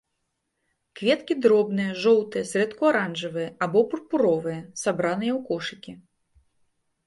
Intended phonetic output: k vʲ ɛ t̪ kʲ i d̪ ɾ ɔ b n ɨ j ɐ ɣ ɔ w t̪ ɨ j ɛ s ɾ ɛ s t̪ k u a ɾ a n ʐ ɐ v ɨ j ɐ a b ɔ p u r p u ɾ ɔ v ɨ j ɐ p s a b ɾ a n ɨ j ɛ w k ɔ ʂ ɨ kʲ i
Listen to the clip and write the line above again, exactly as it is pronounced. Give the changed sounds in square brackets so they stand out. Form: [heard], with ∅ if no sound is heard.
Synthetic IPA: k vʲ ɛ t̪ kʲ i d̪ ɾ ɔ b n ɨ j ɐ [ʐ] ɔ w t̪ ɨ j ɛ s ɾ ɛ [∅] t̪ k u a ɾ a n ʐ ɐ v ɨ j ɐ a b ɔ p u r p u ɾ ɔ v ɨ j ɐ [∅] s a b ɾ a n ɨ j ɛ w k ɔ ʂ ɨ kʲ i